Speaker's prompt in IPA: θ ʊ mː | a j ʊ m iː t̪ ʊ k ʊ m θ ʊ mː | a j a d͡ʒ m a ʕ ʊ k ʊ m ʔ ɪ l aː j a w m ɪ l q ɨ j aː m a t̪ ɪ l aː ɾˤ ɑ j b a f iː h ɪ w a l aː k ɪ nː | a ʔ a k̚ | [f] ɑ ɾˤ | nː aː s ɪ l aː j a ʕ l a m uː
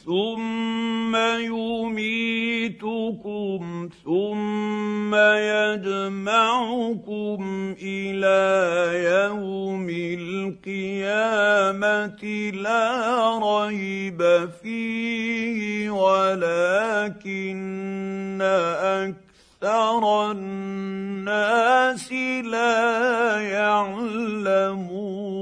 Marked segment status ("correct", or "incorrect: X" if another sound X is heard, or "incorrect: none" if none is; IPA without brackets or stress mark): incorrect: θ